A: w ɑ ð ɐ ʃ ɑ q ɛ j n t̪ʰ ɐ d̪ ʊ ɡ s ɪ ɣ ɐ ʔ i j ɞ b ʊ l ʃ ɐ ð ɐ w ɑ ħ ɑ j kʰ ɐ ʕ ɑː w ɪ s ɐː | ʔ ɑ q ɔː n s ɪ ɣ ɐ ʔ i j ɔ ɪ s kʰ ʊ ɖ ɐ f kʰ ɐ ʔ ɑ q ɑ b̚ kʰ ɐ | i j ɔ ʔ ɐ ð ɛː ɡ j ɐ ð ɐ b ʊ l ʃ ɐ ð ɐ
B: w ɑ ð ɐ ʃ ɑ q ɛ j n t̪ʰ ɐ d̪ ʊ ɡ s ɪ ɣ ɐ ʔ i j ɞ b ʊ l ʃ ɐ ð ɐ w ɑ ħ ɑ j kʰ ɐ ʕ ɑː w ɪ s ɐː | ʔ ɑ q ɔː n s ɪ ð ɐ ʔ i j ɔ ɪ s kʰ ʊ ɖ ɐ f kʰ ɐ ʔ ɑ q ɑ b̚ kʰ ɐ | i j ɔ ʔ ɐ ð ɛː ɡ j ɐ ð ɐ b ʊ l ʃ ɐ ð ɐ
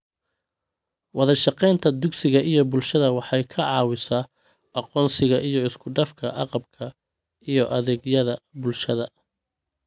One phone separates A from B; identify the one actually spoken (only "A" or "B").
A